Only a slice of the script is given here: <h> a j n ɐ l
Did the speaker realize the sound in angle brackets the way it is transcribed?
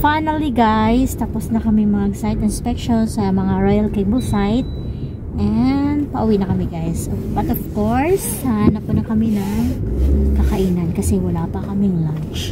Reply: no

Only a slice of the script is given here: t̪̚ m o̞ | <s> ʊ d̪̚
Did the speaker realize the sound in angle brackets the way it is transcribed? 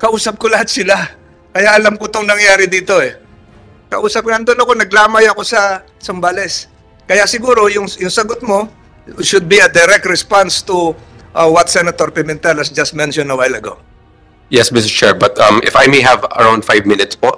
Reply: no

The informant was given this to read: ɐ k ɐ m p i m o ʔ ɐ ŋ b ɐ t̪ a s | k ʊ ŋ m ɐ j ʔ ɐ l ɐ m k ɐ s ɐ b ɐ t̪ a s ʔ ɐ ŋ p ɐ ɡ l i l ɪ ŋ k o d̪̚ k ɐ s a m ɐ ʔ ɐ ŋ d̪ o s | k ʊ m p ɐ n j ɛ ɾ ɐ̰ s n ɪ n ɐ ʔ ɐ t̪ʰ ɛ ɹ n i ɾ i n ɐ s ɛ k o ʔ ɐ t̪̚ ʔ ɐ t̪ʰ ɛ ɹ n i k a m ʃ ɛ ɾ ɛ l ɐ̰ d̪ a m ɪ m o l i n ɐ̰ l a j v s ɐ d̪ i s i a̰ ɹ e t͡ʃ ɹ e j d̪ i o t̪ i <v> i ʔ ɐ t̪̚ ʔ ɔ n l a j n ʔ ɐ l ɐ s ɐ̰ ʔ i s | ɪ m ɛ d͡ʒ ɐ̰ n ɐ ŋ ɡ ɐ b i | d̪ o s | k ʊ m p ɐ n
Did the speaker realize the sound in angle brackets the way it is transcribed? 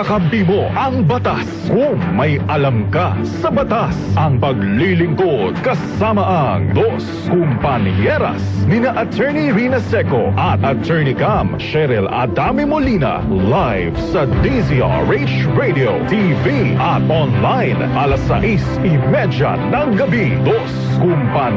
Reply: yes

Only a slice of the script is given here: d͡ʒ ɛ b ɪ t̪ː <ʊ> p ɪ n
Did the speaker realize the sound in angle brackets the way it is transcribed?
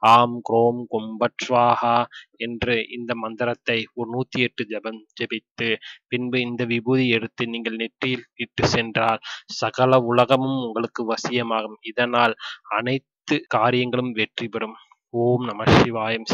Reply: no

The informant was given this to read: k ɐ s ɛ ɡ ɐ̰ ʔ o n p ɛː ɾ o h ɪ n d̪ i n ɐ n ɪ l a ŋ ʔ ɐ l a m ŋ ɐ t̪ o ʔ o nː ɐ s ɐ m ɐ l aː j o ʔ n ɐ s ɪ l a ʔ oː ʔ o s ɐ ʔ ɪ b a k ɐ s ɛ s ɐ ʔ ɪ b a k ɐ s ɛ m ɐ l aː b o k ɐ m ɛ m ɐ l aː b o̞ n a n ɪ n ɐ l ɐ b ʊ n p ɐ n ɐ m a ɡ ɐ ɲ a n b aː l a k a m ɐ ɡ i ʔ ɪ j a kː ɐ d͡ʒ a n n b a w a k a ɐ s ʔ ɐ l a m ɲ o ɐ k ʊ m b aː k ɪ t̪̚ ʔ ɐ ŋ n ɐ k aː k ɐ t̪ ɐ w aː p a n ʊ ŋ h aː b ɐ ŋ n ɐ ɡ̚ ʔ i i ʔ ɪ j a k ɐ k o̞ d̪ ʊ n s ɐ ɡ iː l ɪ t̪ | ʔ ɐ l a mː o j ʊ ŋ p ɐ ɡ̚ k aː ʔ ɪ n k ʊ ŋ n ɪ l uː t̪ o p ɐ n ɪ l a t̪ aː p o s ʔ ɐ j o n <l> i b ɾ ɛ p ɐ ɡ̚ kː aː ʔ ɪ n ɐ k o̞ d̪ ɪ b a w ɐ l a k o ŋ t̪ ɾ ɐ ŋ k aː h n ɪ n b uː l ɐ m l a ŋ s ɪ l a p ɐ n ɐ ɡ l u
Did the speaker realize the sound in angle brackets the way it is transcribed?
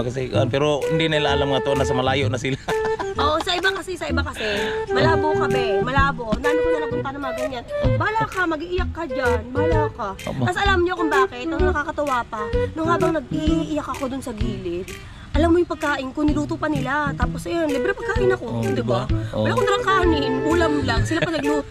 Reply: yes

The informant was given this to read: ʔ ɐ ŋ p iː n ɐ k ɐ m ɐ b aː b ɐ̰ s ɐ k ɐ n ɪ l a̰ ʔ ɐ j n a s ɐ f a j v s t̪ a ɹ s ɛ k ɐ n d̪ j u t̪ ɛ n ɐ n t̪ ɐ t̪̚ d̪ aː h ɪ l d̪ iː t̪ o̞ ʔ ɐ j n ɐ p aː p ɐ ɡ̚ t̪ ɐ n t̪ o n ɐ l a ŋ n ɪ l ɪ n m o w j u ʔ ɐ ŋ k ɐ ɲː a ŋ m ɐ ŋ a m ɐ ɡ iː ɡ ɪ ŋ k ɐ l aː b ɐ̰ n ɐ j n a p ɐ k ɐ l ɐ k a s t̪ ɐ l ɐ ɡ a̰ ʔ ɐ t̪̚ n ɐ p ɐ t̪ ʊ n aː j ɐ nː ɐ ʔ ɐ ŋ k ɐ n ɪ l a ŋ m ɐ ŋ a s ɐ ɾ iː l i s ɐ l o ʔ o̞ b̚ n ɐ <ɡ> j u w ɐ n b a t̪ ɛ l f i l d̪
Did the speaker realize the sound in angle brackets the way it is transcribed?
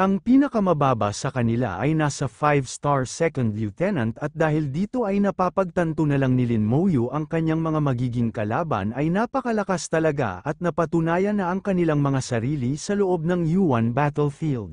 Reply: no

